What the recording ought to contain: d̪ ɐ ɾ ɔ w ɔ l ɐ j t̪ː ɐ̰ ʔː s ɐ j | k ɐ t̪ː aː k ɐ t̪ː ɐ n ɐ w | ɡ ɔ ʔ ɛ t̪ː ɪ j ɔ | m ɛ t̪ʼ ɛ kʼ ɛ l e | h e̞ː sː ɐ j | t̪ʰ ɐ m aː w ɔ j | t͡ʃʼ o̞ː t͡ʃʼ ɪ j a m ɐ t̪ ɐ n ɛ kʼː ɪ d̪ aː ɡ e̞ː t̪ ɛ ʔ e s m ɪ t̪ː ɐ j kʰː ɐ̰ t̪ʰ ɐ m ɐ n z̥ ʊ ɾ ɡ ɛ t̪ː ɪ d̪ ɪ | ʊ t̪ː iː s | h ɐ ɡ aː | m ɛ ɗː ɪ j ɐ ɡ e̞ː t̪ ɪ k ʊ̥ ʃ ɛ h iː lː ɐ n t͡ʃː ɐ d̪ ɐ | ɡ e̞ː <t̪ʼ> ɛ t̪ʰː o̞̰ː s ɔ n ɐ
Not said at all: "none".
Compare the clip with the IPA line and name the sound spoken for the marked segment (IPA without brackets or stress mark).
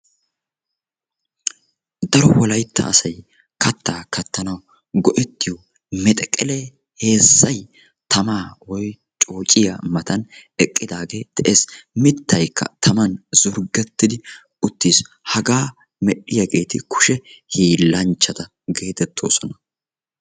t̪